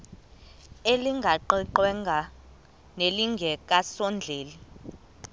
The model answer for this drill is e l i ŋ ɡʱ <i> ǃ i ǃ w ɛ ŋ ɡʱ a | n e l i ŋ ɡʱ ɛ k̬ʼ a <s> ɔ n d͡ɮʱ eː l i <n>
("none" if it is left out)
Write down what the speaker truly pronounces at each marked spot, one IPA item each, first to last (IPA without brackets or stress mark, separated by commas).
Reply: a, s, none